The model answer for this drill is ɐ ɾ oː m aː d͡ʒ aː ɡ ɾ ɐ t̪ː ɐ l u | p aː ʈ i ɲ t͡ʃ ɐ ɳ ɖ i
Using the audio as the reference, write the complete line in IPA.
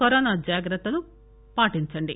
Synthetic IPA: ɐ ɾ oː n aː d͡ʒ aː ɡ ɾ ɐ t̪ː ɐ l u | p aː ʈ i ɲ t͡ʃ ɐ ɳ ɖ i